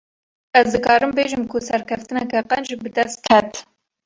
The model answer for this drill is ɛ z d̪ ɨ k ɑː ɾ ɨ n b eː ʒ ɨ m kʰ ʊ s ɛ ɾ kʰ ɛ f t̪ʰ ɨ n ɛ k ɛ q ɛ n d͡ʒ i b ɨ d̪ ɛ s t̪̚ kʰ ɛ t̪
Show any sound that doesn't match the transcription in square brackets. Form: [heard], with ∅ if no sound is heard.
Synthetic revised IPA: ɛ z d̪ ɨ k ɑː ɾ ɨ [m] b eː ʒ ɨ m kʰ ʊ s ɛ ɾ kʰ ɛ f [t̪] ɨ n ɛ k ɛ q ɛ n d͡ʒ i b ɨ d̪ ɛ s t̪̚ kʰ ɛ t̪